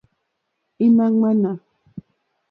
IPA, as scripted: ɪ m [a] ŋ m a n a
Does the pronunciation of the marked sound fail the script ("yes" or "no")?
no